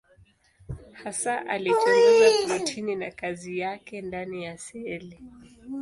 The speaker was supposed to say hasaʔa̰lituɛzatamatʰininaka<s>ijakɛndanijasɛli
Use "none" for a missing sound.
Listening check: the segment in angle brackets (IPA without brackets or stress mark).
z